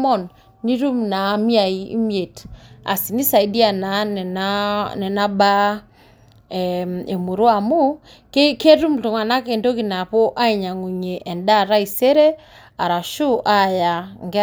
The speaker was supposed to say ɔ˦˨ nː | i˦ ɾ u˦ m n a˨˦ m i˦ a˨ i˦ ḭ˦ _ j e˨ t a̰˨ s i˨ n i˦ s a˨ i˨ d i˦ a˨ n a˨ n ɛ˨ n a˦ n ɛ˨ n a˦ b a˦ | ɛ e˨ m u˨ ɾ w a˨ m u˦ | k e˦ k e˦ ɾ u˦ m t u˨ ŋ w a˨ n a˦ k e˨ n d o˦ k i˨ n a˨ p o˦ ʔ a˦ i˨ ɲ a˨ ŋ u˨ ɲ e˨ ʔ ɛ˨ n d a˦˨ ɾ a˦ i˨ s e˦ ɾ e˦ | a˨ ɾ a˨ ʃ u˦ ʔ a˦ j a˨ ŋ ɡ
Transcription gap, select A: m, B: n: A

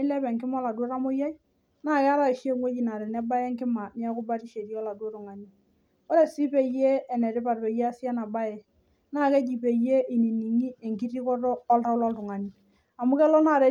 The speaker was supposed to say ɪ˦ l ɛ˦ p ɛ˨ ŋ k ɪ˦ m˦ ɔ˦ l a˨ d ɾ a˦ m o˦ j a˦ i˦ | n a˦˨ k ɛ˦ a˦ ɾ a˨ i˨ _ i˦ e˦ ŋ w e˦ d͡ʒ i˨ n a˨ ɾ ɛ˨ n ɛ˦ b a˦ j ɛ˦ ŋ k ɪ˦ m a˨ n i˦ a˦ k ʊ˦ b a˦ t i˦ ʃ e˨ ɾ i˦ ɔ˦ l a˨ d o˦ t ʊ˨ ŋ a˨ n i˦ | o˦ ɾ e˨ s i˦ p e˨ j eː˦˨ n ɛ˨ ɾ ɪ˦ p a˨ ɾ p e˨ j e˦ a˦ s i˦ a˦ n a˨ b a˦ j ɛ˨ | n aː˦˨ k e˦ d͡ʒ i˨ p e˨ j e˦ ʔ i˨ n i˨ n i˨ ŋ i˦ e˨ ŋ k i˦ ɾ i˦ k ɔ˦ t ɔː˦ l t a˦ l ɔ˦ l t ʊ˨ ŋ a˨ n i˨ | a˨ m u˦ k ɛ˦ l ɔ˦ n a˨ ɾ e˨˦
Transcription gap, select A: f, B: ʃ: B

